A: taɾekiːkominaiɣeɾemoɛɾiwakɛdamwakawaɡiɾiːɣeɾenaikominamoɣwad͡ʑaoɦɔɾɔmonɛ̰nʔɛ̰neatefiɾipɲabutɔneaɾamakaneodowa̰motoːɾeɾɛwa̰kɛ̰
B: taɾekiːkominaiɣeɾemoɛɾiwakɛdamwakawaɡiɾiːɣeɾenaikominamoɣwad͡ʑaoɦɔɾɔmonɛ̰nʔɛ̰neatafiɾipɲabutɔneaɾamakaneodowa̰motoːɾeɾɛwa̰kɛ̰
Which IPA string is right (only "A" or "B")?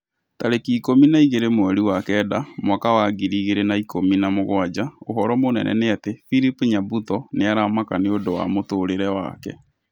A